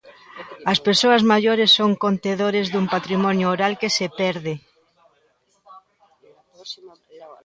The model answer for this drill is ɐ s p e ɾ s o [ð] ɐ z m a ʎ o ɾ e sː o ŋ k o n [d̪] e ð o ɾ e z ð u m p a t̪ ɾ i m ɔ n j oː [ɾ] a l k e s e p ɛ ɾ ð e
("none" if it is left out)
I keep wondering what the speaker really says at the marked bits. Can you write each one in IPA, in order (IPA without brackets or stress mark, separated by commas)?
none, t̪, ɾ